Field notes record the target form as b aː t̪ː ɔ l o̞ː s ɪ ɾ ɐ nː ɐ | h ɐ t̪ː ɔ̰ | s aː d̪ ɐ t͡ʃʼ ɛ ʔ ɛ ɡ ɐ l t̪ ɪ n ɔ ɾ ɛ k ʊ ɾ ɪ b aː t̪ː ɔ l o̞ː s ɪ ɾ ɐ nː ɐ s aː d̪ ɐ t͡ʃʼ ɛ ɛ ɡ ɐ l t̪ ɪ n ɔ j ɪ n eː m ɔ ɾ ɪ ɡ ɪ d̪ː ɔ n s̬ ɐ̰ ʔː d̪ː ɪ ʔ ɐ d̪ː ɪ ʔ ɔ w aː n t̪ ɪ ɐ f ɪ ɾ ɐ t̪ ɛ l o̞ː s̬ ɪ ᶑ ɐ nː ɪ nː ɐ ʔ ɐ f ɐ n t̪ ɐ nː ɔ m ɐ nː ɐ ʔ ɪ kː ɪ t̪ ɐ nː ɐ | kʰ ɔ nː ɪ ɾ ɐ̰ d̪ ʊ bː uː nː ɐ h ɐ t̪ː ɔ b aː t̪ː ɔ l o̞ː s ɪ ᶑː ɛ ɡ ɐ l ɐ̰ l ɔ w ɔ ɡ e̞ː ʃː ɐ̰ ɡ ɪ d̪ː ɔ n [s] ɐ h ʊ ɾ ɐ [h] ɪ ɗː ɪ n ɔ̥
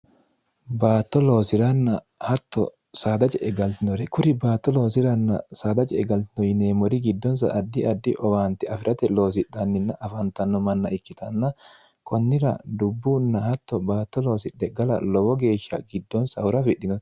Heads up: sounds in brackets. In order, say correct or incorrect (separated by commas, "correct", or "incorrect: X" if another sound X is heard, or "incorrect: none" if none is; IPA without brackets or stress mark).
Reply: correct, incorrect: f